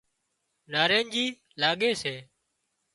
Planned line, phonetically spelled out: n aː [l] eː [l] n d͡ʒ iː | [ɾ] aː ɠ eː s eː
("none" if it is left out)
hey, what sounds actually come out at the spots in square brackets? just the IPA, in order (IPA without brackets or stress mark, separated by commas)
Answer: ɾ, none, l